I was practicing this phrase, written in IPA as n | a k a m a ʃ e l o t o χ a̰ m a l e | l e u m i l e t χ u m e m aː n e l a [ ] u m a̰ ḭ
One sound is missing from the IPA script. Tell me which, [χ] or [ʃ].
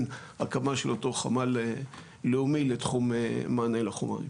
χ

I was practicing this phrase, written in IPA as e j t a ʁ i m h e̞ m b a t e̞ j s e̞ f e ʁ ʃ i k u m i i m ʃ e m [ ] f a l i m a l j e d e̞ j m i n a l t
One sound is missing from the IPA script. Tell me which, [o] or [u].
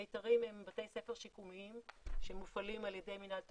u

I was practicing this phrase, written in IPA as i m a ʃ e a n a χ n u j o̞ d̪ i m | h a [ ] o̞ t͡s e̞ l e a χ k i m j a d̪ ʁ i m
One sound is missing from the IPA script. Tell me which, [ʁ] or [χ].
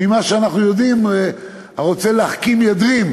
ʁ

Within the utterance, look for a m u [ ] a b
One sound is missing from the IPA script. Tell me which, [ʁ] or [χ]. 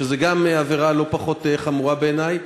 ʁ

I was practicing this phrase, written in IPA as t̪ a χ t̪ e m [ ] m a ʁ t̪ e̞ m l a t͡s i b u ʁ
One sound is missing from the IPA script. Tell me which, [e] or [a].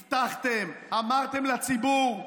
a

